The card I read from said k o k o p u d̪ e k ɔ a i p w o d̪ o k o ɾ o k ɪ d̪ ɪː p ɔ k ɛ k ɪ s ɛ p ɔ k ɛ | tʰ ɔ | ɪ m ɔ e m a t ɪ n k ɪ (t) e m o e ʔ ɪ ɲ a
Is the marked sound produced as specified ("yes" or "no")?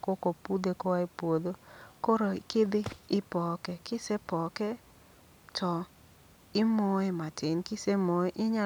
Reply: no